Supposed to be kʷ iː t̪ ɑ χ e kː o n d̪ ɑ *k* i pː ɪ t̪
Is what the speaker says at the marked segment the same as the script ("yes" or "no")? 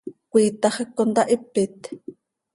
no